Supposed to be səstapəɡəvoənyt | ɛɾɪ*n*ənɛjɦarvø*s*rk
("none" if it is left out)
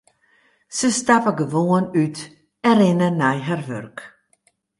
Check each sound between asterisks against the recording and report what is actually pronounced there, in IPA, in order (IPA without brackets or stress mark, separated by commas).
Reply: n, none